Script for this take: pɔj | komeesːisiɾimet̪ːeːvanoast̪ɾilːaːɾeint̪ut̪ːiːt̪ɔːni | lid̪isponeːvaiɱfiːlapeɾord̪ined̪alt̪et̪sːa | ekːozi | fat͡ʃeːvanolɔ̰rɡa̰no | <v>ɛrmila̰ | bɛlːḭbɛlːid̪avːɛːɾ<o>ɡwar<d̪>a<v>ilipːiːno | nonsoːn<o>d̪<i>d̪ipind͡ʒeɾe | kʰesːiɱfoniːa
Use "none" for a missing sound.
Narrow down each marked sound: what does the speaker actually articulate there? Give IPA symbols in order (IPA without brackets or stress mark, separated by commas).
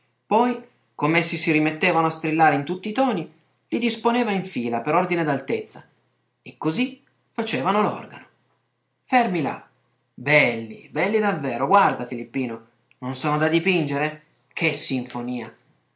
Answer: f, o, d̪, f, o, a